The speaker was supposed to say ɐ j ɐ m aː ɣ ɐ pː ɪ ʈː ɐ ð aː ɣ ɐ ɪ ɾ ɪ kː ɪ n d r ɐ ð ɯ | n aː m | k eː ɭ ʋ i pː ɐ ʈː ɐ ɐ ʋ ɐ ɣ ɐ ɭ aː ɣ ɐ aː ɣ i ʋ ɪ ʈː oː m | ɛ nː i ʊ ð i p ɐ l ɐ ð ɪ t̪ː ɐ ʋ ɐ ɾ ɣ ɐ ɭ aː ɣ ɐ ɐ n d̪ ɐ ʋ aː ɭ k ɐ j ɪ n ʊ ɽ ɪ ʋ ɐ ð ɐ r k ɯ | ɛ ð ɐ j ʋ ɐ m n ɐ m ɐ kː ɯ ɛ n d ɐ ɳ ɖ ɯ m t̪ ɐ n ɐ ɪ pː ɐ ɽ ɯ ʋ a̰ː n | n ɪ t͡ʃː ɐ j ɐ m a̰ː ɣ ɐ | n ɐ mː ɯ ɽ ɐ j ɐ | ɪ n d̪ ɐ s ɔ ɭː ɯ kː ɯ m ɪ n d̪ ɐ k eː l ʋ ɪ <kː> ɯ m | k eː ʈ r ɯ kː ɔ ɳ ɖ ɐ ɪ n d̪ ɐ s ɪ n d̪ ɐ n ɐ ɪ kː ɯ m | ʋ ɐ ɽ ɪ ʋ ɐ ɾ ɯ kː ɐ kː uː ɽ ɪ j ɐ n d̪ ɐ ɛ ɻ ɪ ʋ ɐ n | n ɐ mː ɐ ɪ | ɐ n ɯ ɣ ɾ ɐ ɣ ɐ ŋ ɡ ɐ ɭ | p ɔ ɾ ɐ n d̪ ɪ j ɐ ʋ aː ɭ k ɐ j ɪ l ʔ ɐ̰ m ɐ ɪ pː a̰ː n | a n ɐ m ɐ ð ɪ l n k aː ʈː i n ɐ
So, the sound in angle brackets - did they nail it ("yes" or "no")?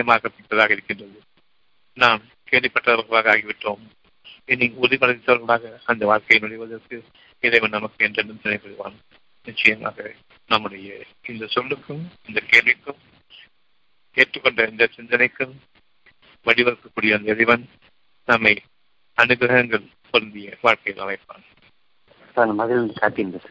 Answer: yes